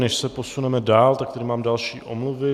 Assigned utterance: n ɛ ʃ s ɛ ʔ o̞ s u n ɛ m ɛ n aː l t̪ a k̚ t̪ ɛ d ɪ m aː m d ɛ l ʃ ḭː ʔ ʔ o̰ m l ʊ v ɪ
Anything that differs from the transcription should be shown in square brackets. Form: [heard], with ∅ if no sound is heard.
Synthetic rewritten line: n ɛ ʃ s ɛ [p] o̞ s u n ɛ m ɛ [d] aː l t̪ a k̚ t̪ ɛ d ɪ m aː m d [a] l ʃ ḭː ʔ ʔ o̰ m l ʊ v ɪ